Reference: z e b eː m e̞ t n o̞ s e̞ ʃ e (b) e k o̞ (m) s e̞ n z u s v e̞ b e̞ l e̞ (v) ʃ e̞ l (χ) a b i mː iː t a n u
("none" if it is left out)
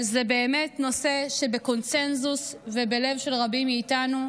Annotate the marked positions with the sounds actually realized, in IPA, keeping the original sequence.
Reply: b, n, v, ʁ

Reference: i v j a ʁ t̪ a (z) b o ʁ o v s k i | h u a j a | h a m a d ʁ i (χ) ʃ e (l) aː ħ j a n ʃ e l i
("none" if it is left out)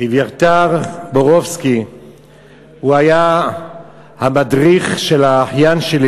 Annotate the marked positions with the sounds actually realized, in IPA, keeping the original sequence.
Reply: ʁ, χ, l

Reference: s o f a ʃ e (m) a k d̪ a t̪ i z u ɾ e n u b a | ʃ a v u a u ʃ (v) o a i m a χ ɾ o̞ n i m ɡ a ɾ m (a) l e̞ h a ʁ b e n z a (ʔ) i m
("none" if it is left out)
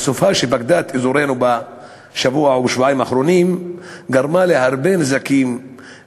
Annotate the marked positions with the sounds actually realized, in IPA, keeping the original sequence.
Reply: b, v, a, k

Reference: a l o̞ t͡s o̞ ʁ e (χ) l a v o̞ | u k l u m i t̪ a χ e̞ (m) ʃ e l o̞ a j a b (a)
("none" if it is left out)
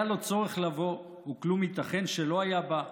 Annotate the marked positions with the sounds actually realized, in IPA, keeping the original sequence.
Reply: χ, n, a

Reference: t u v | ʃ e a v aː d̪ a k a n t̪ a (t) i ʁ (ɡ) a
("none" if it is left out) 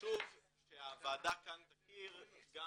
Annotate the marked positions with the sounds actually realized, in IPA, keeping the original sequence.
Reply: k, ɡ

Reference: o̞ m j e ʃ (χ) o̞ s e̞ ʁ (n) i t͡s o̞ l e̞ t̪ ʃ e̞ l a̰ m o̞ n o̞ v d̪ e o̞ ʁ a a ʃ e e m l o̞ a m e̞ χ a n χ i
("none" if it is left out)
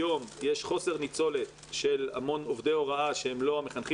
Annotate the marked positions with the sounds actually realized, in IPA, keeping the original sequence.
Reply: χ, n

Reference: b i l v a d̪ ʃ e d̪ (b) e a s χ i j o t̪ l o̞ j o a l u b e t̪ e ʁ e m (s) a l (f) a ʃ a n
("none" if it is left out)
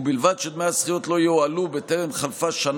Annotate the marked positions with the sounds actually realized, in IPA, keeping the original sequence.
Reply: m, χ, f

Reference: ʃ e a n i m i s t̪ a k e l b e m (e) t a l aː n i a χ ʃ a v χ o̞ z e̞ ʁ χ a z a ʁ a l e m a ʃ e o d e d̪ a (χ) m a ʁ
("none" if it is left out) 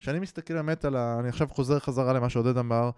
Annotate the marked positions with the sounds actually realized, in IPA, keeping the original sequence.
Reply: e, none

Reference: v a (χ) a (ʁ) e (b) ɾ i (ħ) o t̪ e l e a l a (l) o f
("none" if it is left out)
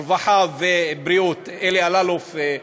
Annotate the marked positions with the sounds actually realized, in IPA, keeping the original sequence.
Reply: ħ, v, b, none, l

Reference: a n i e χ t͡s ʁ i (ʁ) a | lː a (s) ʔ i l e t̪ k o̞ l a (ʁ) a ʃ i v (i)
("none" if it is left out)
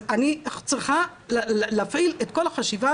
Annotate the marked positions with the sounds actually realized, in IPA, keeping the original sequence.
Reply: χ, f, χ, a

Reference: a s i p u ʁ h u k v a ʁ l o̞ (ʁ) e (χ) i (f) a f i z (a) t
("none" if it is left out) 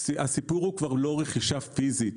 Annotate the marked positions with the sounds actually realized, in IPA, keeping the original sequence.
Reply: ʁ, χ, ʃ, i

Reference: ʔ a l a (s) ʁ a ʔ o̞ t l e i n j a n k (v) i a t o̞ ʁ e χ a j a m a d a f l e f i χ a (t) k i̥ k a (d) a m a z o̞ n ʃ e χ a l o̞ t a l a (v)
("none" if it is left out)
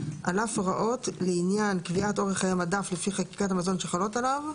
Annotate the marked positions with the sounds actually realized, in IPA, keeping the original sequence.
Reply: f, v, none, t, v

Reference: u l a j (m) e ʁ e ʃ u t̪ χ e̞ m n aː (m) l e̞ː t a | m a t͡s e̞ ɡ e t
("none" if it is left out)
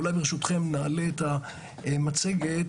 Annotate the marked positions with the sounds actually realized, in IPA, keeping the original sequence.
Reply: b, none

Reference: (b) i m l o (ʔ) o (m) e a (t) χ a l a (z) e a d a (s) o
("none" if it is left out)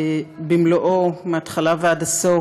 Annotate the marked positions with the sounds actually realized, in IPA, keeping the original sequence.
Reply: b, ʔ, m, t, v, s

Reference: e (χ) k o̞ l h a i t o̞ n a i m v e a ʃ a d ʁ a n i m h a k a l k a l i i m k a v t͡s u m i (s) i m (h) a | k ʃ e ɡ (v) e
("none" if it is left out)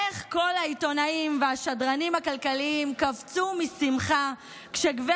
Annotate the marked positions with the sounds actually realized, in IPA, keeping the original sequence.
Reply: χ, s, χ, v

